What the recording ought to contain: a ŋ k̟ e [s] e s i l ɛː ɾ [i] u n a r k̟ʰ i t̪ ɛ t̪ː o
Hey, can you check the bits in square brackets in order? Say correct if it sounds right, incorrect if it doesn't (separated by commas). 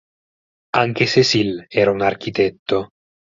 correct, incorrect